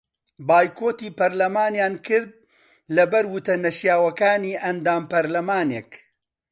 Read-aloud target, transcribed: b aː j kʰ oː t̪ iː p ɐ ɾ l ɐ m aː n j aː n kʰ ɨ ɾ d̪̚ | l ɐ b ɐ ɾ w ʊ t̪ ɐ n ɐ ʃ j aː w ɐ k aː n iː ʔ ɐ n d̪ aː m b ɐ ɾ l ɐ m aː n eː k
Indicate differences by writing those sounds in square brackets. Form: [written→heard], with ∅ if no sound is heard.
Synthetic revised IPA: b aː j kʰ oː t̪ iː p ɐ ɾ l ɐ m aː n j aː n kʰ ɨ ɾ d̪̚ | l ɐ b ɐ ɾ w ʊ t̪ ɐ n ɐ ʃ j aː w ɐ k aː n iː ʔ ɐ n d̪ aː m [b→p] ɐ ɾ l ɐ m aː n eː k